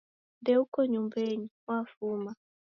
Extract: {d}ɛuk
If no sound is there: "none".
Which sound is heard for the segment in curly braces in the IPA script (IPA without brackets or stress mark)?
d